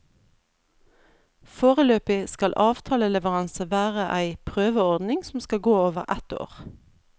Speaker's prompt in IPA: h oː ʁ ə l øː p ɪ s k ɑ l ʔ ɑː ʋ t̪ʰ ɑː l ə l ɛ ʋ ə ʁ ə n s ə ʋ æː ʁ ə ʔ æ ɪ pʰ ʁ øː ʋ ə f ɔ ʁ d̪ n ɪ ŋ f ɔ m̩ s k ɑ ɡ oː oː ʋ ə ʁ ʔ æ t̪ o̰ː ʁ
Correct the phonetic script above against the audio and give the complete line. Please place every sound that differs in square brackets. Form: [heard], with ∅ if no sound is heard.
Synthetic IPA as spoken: [f] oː ʁ ə l øː p ɪ s k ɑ l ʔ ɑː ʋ t̪ʰ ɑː l ə l ɛ ʋ ə ʁ [ɑ] n s ə ʋ æː ʁ ə ʔ æ ɪ pʰ ʁ øː ʋ ə [∅] ɔ ʁ d̪ n ɪ ŋ [s] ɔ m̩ s k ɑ ɡ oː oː ʋ ə ʁ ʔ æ t̪ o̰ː ʁ